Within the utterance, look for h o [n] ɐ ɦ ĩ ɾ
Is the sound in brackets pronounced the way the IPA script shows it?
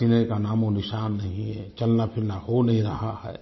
yes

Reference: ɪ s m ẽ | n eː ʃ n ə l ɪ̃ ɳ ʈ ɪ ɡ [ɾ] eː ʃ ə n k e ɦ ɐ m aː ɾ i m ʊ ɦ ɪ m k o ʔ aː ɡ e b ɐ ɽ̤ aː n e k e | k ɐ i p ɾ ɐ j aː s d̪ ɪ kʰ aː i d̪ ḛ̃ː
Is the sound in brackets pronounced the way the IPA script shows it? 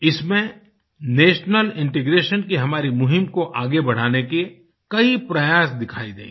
yes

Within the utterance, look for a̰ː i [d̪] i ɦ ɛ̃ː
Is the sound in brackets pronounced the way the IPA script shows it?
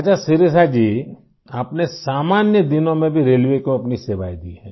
yes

